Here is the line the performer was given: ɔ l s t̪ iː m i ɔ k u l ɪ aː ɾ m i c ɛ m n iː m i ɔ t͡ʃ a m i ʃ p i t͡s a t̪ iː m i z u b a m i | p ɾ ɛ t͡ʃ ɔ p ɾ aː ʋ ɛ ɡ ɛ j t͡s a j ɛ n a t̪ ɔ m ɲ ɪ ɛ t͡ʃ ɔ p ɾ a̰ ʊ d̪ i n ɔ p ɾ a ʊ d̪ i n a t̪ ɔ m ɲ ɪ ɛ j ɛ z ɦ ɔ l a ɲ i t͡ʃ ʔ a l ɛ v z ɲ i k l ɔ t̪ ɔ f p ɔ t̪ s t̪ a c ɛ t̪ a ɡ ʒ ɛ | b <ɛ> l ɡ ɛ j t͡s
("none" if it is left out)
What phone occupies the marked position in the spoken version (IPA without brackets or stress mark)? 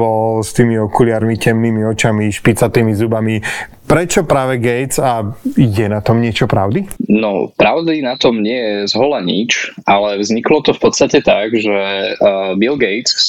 i